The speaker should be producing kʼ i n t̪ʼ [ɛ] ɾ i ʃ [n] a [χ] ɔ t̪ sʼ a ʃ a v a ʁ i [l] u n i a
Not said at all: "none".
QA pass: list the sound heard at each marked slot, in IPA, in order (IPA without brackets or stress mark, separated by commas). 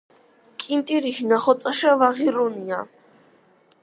i, n, χ, ɾ